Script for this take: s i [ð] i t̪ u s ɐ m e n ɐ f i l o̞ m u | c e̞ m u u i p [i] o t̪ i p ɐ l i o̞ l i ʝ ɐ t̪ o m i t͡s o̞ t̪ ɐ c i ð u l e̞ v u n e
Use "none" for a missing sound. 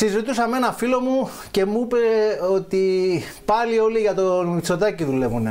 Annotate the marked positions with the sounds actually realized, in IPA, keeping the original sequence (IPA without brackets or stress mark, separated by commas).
z, e